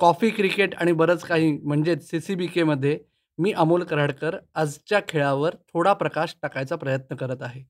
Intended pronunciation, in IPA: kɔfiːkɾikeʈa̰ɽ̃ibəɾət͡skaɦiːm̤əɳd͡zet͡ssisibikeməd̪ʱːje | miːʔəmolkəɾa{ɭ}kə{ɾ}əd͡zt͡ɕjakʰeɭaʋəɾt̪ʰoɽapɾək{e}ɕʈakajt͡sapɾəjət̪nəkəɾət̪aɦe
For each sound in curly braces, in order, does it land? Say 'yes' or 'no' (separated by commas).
no, yes, no